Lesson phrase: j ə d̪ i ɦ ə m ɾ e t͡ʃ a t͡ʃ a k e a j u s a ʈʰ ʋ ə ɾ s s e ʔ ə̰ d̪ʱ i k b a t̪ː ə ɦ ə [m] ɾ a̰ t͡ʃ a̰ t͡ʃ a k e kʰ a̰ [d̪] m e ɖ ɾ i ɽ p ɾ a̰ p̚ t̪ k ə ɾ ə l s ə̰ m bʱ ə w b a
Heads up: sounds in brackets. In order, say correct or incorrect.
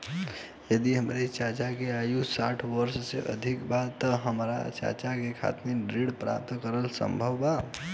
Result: correct, incorrect: t̪

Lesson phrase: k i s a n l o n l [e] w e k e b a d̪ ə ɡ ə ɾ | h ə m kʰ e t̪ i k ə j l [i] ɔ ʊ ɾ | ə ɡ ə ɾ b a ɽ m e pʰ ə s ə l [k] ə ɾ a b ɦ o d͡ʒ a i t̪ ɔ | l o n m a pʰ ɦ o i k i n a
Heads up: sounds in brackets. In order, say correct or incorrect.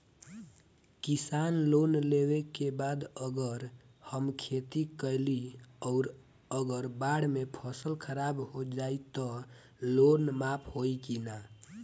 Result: correct, correct, incorrect: kʰ

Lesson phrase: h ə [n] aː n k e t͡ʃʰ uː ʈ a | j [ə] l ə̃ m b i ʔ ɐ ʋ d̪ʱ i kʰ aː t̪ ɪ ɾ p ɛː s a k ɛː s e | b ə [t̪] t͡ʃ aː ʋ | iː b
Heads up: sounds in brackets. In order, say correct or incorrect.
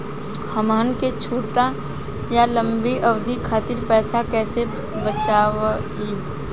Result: incorrect: m, incorrect: a, incorrect: none

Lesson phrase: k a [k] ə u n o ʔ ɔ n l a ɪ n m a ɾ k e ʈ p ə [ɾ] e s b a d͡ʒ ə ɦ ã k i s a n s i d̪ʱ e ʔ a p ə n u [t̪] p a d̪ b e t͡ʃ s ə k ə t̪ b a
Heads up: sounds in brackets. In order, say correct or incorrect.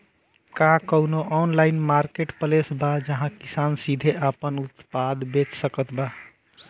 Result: correct, incorrect: l, correct

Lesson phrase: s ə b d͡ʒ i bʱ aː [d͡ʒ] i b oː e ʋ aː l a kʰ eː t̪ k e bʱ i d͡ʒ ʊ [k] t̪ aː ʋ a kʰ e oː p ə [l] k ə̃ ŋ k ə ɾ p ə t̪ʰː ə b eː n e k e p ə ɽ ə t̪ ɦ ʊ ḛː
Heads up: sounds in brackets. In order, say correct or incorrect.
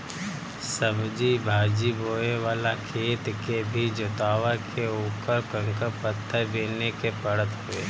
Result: correct, incorrect: none, incorrect: ɾ

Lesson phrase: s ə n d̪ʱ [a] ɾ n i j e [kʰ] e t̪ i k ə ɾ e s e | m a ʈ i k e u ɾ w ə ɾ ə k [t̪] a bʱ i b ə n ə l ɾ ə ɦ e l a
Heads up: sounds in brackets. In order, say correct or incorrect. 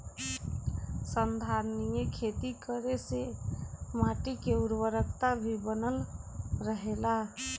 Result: correct, correct, correct

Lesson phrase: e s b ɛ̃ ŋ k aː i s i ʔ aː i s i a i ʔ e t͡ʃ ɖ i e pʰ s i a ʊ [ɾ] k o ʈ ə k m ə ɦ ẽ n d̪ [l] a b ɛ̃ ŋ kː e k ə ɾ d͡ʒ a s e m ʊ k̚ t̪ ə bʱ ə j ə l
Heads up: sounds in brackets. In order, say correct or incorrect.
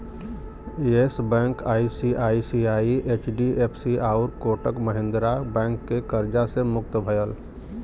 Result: correct, incorrect: ɾ

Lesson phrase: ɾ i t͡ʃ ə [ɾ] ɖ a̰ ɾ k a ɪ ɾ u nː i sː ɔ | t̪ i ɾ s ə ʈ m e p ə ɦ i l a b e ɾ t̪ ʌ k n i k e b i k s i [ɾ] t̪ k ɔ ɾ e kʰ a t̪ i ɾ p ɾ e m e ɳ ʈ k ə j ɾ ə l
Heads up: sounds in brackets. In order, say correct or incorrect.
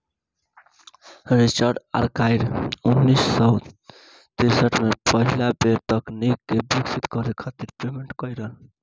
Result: correct, incorrect: none

